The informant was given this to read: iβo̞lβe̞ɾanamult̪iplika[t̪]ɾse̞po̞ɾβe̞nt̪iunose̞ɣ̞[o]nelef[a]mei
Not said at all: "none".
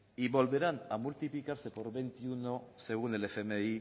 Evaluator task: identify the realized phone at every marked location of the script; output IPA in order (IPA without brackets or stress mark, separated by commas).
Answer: none, u, e